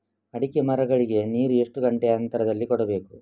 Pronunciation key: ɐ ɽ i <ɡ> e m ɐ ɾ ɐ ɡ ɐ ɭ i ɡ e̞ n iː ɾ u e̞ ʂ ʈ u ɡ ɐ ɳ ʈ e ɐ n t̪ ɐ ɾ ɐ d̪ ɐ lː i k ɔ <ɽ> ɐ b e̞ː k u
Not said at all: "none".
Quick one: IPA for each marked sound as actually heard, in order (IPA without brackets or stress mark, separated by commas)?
k, ɽ